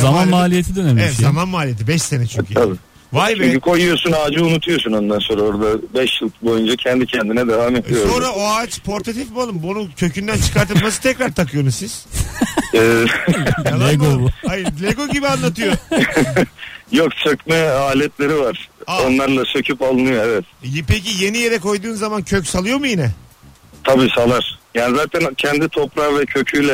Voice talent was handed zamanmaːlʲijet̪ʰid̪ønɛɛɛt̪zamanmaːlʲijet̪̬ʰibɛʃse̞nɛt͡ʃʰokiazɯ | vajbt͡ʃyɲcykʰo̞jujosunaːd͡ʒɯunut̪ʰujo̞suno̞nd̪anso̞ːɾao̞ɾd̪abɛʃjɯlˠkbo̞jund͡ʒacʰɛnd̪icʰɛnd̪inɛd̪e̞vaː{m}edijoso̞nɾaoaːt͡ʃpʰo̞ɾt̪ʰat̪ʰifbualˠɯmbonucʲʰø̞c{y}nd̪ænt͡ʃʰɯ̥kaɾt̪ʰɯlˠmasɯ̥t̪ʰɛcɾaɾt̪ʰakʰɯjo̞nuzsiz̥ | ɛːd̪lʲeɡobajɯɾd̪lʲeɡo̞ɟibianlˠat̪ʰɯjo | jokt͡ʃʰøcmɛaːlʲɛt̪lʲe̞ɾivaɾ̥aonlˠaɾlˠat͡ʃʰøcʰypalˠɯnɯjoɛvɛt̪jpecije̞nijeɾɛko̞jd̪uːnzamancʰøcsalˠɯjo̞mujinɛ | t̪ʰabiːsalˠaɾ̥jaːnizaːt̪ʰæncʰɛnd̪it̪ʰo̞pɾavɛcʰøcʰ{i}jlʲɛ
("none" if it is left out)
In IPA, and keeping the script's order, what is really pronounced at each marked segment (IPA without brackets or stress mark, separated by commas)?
m, y, y